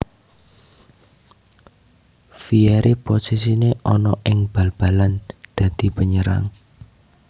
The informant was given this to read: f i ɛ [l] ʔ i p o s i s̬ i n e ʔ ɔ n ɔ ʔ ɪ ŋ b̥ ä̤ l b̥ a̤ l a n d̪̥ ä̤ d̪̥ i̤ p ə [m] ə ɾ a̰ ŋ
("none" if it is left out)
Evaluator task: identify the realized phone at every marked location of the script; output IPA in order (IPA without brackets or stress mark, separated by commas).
ɾ, ɲ